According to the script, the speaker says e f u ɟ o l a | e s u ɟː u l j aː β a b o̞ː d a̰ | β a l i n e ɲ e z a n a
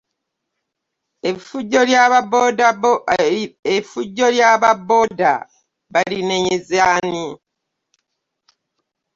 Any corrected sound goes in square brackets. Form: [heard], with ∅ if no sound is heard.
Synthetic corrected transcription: e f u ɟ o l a | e [f] u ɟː [o] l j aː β a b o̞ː d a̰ | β a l i n e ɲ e z a n [i]